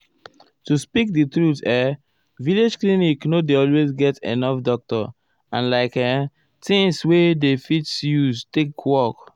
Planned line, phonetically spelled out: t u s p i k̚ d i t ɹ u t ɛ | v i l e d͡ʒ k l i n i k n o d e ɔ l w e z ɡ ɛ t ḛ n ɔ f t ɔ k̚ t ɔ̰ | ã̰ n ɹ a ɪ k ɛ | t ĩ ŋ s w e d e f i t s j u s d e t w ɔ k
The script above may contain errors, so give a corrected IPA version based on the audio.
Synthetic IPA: t u s p i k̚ d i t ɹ u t ɛ | v i l e d͡ʒ k l i n i k n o d e ɔ l w e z ɡ ɛ t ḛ n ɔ f d ɔ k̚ t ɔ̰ | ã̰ n l a ɪ k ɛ | t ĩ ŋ s w e d e f i t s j u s t e k w ɔ k